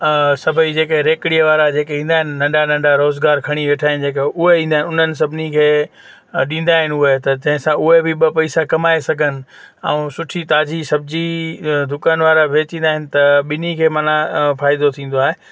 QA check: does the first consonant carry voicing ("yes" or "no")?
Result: no